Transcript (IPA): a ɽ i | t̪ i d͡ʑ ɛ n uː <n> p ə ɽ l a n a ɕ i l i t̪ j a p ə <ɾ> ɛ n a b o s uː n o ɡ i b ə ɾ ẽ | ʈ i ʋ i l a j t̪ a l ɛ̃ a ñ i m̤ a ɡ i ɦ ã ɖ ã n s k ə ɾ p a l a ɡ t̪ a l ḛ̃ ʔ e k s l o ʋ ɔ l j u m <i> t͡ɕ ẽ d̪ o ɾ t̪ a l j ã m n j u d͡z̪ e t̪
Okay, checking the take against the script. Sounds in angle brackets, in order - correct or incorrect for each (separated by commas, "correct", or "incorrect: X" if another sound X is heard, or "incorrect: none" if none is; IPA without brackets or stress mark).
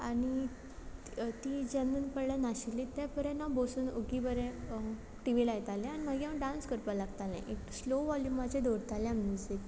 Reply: correct, correct, incorrect: a